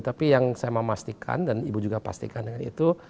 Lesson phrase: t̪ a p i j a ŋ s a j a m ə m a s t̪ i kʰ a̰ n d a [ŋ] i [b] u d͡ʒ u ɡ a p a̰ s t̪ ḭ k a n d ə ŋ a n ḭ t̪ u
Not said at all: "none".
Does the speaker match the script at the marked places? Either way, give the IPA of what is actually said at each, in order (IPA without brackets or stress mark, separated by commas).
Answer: n, b